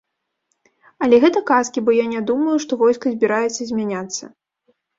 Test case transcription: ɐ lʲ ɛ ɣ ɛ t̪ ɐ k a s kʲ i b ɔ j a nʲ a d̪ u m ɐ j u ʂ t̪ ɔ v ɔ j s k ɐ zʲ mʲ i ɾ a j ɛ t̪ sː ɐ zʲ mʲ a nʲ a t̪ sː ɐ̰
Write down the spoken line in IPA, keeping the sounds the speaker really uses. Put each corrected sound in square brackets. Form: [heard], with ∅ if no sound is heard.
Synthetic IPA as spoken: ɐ lʲ ɛ ɣ ɛ t̪ ɐ k a s kʲ i b ɔ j a nʲ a d̪ u m ɐ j u ʂ t̪ ɔ v ɔ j s k ɐ zʲ [bʲ] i ɾ a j ɛ t̪ sː ɐ zʲ mʲ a nʲ a t̪ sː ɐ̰